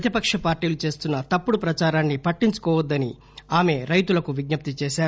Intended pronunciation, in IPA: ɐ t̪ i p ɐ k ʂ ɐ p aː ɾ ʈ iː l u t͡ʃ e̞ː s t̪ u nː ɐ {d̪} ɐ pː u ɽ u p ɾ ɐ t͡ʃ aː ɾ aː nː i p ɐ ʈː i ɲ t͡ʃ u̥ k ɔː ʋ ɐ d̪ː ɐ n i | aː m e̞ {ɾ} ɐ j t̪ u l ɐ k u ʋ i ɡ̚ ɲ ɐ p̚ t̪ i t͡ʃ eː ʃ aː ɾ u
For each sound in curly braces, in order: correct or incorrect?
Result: incorrect, correct

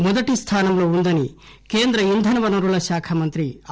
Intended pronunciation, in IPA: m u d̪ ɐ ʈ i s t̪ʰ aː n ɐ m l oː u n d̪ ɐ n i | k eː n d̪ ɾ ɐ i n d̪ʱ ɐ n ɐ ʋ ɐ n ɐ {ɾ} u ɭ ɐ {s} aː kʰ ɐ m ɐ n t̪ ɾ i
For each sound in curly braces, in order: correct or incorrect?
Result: correct, incorrect

